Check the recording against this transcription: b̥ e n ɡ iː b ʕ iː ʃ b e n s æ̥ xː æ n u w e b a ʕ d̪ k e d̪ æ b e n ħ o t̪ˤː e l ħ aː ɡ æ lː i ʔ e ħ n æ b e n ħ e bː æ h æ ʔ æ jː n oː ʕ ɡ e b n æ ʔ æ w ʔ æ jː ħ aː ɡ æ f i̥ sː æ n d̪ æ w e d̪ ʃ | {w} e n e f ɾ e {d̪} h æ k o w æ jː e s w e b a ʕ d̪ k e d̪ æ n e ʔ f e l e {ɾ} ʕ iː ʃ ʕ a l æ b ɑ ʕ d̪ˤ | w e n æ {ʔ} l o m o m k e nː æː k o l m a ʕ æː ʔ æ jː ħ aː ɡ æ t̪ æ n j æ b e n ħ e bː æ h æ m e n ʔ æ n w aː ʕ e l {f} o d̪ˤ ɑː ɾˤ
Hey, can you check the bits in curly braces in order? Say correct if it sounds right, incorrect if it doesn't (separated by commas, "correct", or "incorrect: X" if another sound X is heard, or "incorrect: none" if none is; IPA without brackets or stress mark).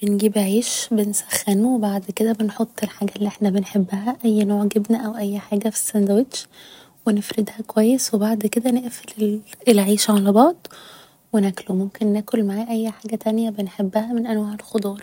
correct, correct, incorrect: l, incorrect: k, incorrect: x